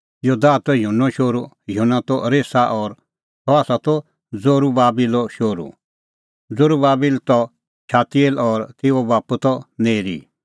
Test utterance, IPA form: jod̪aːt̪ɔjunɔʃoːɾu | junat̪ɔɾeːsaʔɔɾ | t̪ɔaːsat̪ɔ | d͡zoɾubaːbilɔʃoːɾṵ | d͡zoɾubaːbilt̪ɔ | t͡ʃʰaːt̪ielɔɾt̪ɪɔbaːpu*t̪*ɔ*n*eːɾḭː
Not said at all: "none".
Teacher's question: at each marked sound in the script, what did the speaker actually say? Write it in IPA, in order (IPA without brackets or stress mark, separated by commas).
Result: t̪, n